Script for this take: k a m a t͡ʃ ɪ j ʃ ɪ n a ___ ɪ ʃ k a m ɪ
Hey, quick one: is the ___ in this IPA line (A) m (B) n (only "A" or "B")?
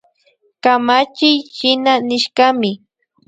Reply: B